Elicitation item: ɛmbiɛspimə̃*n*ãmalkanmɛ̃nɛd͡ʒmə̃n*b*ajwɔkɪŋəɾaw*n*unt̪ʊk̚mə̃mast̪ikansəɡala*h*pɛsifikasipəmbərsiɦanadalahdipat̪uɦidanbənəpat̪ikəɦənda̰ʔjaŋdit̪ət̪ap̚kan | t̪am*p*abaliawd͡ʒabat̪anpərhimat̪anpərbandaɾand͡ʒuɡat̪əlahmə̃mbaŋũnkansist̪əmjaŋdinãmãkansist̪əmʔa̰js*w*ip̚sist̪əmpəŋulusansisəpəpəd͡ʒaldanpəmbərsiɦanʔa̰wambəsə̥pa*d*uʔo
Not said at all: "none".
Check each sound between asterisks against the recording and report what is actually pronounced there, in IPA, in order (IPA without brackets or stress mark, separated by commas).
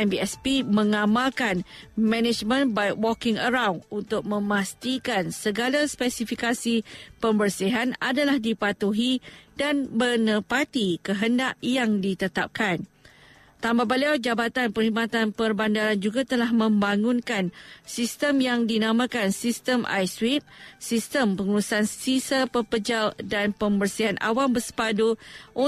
ŋ, b, n, s, b, w, d